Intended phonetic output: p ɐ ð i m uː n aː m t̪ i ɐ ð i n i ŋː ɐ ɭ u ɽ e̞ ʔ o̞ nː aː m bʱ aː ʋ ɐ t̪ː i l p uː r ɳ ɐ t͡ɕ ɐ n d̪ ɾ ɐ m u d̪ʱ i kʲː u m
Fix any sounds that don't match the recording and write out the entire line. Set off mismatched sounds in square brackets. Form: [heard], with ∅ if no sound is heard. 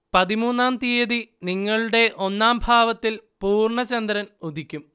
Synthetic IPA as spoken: p ɐ ð i m uː [nː] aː m t̪ i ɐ ð i n i ŋː ɐ ɭ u ɽ e̞ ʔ o̞ nː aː m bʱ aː ʋ ɐ t̪ː i l p uː r ɳ ɐ t͡ɕ ɐ n d̪ ɾ ɐ [n] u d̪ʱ i kʲː u m